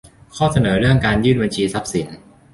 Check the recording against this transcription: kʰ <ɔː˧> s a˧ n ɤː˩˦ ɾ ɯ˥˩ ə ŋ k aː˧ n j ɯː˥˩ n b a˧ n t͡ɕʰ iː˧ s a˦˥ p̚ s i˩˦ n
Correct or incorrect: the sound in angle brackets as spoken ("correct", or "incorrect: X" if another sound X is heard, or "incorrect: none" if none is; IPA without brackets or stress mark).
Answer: incorrect: ɔː˥˩